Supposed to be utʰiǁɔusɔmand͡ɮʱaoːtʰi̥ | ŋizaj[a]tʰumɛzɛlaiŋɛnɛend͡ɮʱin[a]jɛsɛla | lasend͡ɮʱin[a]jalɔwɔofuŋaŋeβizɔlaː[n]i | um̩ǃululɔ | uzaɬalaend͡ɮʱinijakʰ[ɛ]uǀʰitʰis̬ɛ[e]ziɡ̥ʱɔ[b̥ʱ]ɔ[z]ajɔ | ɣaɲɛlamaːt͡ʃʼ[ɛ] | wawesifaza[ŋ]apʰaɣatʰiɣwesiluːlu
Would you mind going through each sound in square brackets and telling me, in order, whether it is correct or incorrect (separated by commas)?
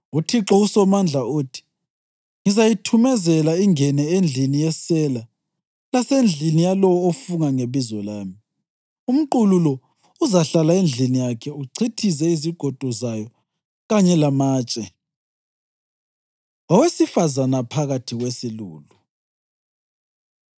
incorrect, incorrect, incorrect, incorrect, correct, incorrect, incorrect, correct, correct, incorrect